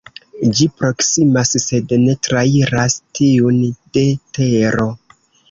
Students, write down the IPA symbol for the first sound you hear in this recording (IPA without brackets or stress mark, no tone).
d͡ʒ